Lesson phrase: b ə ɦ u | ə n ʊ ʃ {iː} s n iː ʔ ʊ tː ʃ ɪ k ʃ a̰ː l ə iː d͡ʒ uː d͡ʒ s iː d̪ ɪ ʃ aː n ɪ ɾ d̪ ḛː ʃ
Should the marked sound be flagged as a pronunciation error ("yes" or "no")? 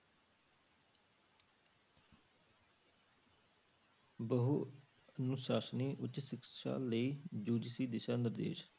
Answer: yes